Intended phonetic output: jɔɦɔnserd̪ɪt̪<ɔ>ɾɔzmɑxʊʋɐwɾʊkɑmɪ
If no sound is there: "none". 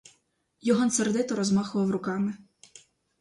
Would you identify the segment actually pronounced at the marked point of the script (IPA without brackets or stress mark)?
ɔ